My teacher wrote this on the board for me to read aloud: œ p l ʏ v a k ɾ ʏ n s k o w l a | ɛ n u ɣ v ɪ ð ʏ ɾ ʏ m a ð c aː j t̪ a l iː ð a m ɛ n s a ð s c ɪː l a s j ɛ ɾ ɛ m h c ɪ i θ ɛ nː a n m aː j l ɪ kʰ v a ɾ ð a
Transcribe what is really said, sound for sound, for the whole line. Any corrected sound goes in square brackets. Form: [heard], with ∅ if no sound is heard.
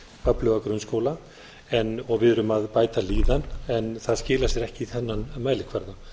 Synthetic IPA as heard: œ p l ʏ v a k ɾ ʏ n s k o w l a | ɛ n [ɔ] ɣ v ɪ ð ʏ ɾ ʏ m a ð [p] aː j t̪ a l iː ð a [n] ɛ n [θ] a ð s c ɪː l a s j ɛ ɾ ɛ [∅] h c ɪ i θ ɛ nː a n m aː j l ɪ kʰ v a ɾ ð a